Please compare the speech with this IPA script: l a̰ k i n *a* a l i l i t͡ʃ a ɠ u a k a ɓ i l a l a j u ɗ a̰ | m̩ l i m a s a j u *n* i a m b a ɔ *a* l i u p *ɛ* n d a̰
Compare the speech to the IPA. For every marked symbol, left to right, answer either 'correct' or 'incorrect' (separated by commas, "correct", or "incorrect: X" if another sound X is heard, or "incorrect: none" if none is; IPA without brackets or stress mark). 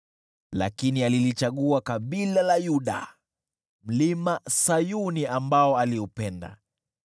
incorrect: i, correct, correct, correct